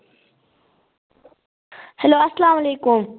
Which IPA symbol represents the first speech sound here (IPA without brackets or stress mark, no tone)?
h